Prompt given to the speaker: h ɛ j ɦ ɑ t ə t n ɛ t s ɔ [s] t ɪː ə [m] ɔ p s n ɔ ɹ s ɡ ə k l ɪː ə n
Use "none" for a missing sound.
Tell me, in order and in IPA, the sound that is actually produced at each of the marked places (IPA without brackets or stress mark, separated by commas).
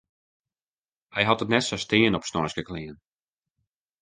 s, n